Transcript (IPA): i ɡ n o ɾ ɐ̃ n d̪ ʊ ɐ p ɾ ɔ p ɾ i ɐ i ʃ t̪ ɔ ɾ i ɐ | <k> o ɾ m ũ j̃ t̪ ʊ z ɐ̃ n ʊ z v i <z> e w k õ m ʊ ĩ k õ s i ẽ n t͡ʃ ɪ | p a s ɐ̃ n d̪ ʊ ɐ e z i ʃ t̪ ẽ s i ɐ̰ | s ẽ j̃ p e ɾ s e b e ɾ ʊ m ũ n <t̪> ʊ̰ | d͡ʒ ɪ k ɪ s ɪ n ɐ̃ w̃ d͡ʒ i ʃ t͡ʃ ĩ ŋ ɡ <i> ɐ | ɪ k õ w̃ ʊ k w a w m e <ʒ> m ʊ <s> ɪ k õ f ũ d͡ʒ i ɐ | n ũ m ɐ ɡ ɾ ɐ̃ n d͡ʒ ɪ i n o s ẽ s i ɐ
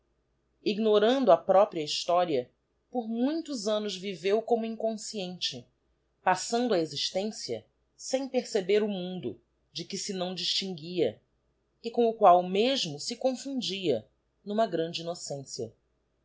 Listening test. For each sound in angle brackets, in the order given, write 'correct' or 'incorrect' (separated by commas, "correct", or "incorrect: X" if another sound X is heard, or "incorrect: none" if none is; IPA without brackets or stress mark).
incorrect: p, incorrect: v, incorrect: d̪, correct, correct, correct